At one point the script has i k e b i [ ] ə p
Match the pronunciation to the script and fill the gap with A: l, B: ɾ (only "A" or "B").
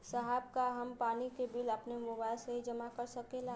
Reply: A